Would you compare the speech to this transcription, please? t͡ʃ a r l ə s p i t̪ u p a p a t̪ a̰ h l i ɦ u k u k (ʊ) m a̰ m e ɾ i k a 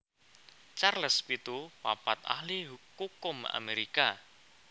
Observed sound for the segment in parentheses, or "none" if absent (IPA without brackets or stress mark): ʊ